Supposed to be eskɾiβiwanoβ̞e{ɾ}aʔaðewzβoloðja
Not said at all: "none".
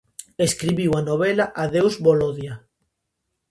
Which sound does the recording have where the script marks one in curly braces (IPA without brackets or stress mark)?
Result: l